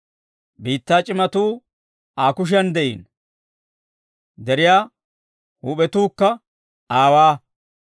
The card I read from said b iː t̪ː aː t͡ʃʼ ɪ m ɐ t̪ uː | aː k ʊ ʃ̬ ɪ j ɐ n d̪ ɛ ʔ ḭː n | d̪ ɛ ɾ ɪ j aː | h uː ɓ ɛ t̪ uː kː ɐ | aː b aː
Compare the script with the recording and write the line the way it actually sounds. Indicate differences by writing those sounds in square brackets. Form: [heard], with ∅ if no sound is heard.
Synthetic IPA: b iː t̪ː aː t͡ʃʼ ɪ m ɐ t̪ uː | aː k ʊ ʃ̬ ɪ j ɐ n d̪ ɛ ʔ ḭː n | d̪ ɛ ɾ ɪ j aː | h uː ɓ ɛ t̪ uː kː ɐ | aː [w] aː